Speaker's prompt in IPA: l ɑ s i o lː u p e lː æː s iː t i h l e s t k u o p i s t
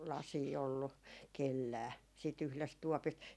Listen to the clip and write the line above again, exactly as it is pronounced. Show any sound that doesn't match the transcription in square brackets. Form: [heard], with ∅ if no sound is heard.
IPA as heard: l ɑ s [iː] o lː u [k] e lː æː s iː t [y] h l e s t [t] u [ɔ] p i s t

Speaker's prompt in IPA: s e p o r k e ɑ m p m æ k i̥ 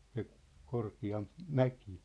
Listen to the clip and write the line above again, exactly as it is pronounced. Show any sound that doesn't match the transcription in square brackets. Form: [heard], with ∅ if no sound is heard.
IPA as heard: s e [k] o r k [i] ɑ m p m æ k i̥

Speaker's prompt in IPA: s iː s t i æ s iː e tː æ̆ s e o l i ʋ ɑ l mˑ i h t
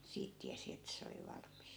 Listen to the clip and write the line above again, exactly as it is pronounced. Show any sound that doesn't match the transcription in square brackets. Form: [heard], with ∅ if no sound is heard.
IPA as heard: s iː [t] t i æ s [i] e tː æ̆ s e o l i ʋ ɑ l mˑ i [s] t

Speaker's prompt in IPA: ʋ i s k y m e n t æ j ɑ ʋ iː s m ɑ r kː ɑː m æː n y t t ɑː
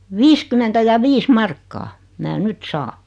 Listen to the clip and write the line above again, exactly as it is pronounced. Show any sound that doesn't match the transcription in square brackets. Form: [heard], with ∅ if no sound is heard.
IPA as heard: ʋ [iː] s k y m e n t æ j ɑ ʋ iː s m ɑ r kː ɑː m æː n y t [s] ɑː

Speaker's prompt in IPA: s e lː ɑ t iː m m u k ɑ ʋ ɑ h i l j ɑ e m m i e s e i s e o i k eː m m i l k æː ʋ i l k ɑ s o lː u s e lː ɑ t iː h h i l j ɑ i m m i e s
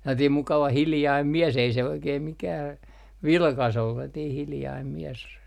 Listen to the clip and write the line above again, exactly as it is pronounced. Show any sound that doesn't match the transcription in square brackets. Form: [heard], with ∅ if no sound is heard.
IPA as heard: s e lː ɑ t iː m m u k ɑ ʋ ɑ h i l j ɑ [i] m m i e s e i s e o i k eː m m i [∅] k æː ʋ i l k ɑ s o lː u s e lː ɑ t iː h h i l j ɑ i m m i e s

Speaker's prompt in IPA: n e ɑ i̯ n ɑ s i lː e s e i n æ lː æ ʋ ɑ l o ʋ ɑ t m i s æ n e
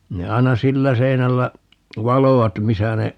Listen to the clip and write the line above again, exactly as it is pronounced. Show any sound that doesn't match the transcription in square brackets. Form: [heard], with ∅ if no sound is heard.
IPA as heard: n e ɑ i̯ n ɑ s i lː [æ] s e i n æ lː æ ʋ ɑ l o ʋ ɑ t m i s æ n e

